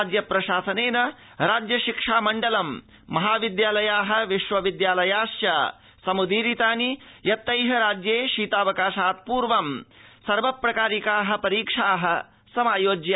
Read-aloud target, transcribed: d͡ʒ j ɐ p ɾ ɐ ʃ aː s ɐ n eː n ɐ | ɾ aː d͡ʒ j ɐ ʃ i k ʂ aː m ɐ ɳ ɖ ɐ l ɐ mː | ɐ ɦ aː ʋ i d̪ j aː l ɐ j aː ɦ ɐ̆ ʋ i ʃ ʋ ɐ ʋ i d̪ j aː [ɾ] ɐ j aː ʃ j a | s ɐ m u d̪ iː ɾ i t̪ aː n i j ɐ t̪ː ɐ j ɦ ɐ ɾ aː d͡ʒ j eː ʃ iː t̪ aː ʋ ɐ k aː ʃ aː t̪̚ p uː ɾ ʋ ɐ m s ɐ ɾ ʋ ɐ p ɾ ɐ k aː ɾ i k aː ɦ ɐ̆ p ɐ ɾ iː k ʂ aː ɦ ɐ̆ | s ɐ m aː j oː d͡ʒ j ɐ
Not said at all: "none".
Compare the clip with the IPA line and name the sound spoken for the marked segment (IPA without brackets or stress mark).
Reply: l